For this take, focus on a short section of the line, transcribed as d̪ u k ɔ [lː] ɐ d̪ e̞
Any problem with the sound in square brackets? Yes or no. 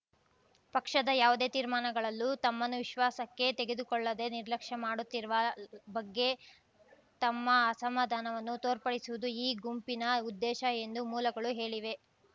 yes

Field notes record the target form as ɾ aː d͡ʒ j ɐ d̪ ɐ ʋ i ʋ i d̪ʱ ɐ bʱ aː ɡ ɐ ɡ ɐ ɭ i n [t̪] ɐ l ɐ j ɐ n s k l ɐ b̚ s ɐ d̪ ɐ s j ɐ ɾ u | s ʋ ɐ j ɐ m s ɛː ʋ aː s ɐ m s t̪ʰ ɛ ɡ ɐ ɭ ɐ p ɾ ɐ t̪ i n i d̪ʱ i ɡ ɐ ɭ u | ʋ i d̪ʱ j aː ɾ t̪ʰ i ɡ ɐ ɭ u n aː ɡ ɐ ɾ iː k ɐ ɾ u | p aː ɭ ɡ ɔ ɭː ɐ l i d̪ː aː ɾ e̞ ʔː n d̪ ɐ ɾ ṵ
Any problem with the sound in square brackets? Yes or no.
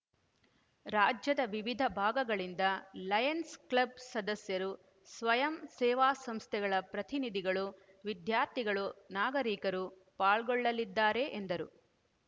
yes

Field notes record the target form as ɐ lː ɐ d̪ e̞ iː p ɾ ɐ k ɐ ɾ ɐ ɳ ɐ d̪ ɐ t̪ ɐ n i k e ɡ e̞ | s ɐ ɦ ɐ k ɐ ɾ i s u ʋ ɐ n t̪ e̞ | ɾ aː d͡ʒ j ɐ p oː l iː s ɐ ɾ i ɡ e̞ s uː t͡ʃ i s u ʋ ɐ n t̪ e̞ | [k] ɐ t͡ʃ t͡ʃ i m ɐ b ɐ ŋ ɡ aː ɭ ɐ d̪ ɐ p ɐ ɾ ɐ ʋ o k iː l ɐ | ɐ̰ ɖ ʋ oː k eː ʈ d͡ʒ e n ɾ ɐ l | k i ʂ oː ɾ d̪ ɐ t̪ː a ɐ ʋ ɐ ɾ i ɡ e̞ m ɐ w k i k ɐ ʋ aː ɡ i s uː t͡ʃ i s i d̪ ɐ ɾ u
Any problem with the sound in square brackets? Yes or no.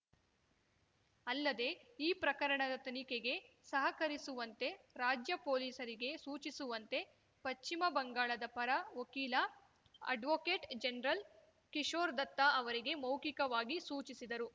yes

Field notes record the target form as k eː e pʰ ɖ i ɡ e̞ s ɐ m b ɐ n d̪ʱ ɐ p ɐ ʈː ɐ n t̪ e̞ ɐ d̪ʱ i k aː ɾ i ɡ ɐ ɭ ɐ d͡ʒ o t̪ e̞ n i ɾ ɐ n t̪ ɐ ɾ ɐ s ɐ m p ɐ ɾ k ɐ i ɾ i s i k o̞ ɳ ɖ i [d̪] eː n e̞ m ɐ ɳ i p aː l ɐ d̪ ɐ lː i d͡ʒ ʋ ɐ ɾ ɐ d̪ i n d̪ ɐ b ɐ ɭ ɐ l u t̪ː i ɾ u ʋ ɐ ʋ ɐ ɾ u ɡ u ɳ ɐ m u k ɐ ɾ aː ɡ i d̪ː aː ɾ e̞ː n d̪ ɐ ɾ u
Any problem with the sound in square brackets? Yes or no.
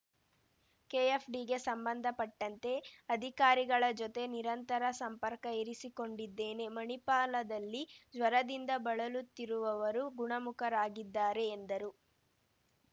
yes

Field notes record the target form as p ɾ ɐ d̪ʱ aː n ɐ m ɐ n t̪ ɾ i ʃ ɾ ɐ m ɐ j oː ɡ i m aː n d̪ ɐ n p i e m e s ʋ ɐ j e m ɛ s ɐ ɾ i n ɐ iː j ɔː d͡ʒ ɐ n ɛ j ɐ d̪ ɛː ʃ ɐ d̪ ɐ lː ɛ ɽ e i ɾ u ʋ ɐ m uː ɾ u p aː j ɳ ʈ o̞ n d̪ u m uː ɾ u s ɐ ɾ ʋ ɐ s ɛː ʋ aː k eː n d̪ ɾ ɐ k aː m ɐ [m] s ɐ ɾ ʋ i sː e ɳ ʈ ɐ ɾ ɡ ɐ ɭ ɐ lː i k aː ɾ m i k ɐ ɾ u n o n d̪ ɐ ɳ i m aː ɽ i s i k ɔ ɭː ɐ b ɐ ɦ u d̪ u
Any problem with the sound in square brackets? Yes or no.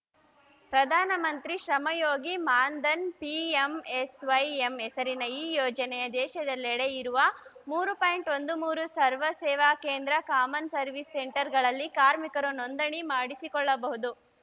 yes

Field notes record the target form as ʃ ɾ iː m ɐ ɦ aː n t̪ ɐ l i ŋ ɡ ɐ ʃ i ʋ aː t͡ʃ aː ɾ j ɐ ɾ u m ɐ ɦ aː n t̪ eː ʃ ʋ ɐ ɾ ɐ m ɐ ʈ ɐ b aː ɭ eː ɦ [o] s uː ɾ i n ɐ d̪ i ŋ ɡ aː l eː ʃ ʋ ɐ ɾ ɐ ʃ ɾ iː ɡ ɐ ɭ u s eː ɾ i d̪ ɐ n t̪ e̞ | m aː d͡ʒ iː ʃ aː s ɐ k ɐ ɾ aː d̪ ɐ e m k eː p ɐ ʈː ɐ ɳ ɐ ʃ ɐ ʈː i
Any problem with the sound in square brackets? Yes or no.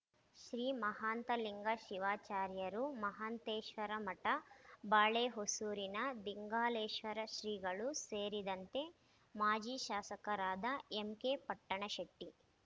no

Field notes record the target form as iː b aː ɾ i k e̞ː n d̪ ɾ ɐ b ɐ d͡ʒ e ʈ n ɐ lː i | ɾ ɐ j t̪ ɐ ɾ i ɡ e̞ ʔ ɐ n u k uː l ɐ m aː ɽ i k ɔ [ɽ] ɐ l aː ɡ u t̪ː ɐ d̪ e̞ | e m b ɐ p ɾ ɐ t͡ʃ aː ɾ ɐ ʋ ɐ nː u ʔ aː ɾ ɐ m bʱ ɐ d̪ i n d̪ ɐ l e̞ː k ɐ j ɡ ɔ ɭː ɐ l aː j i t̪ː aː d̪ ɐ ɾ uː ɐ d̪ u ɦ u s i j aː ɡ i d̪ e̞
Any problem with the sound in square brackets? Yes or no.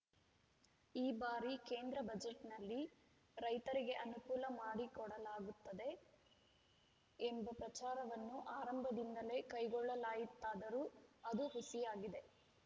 no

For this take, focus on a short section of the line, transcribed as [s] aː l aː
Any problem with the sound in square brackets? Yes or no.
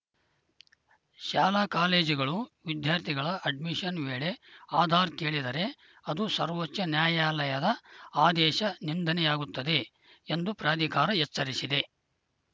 yes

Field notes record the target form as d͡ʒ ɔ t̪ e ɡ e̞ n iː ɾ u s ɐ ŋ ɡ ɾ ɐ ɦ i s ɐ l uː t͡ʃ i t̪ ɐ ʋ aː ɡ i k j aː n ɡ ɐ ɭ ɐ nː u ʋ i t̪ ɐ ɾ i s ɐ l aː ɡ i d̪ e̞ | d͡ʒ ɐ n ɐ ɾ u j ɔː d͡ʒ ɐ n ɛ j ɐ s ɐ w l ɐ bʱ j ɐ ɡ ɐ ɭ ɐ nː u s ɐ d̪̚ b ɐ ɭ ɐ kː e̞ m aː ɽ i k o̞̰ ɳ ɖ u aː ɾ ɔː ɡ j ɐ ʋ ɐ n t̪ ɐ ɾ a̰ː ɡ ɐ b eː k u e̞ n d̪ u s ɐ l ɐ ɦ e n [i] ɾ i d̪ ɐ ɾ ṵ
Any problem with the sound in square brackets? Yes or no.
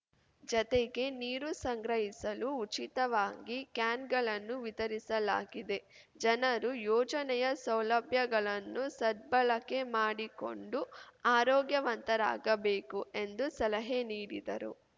yes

